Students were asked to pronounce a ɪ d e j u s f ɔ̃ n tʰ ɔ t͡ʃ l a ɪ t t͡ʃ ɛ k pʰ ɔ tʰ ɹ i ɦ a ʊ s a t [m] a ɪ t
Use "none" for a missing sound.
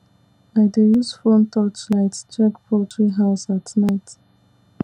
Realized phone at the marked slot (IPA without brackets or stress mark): n